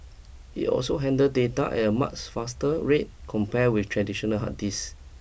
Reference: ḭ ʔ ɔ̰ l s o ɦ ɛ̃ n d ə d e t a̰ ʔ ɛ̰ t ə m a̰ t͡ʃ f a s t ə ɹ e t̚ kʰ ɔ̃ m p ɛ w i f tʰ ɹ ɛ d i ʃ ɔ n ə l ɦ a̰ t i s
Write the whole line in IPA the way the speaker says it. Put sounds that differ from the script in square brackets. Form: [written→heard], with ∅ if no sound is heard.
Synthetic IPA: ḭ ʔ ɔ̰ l s o ɦ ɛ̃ n d ə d e t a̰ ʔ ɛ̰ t ə m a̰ t͡ʃ f a s t ə ɹ e t̚ kʰ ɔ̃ m p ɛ w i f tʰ ɹ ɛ d i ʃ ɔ n ə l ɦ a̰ t i s

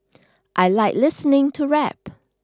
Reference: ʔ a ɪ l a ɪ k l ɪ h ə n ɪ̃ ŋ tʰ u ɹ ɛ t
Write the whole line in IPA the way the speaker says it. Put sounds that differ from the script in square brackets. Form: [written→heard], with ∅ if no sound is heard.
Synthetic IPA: ʔ a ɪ l a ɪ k l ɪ [h→s] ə n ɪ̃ ŋ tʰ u ɹ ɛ [t→p]

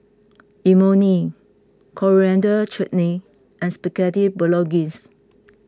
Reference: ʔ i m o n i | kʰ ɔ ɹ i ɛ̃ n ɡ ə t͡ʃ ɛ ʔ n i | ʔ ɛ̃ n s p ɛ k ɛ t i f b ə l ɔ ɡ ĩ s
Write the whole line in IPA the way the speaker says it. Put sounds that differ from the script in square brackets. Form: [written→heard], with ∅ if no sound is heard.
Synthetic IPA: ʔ i m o n i | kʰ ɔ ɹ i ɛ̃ n [ɡ→d] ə t͡ʃ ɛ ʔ n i | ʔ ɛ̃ n s p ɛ k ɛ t i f b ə l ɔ ɡ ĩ s

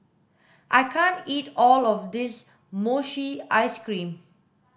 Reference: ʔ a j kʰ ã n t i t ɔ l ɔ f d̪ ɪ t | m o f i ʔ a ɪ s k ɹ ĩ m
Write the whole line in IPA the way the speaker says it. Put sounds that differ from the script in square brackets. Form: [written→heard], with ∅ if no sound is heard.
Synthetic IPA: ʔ a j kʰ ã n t i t ɔ l ɔ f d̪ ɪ [t→s] | m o [f→ʃ] i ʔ a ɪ s k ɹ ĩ m

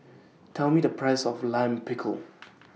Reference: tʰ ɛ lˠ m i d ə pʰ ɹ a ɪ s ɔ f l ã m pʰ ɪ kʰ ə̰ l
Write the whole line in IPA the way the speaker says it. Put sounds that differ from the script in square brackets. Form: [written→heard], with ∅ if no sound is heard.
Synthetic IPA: tʰ ɛ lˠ m i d ə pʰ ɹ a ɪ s ɔ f l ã m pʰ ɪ kʰ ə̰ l

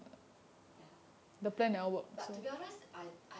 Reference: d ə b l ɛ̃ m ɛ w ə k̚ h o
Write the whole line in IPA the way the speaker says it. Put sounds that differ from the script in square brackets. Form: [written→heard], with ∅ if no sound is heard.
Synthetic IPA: d ə [b→p] l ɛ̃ [m→n] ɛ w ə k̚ [h→s] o

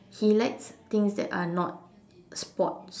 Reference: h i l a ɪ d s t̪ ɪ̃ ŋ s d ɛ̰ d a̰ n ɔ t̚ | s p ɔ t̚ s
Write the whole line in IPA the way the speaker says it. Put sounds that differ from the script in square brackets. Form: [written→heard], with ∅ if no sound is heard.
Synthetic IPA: h i l a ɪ [d→t] s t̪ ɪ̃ ŋ s d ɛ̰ [d→t] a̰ n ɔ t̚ | s p ɔ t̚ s

